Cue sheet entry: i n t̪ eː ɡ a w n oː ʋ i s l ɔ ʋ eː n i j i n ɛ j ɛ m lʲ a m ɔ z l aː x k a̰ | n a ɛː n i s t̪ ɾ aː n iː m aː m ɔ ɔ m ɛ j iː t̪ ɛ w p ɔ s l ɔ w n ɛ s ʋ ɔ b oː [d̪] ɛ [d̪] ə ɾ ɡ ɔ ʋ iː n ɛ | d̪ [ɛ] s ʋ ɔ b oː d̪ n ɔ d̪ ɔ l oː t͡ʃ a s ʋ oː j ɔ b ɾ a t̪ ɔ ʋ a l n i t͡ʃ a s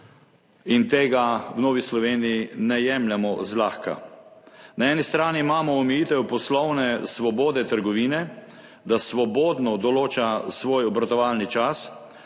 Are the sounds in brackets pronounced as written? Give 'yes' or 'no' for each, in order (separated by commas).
yes, no, no